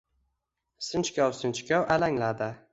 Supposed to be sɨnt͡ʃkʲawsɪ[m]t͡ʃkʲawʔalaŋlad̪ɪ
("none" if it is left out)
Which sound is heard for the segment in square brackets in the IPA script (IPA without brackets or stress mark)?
n